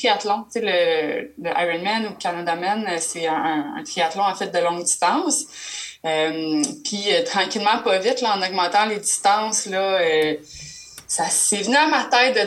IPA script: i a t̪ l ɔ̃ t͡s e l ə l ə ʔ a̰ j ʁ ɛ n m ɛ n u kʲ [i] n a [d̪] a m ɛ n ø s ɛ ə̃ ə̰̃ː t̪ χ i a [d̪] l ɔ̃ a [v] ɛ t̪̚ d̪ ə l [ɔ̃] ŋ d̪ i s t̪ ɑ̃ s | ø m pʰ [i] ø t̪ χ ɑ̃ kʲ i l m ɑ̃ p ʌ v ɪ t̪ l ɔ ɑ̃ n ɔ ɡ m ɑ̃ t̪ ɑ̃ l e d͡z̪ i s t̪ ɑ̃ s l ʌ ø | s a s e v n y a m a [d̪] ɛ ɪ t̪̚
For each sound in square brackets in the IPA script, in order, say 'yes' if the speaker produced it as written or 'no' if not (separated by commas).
no, yes, no, no, yes, yes, no